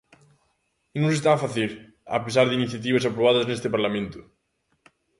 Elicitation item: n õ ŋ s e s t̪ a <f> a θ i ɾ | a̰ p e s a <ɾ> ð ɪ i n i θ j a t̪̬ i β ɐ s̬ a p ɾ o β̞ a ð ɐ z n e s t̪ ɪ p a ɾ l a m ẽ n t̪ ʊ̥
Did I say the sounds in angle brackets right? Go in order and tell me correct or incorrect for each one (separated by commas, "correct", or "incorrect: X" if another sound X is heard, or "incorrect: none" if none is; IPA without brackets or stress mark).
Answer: correct, correct